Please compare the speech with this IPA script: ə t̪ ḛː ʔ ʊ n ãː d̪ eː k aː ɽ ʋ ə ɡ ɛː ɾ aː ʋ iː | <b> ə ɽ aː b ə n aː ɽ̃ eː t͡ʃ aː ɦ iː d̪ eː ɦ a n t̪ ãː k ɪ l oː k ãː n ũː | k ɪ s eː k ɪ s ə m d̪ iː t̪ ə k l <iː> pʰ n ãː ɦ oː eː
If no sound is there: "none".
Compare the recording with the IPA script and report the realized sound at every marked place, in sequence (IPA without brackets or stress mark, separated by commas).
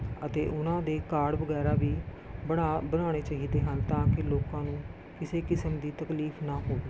b, iː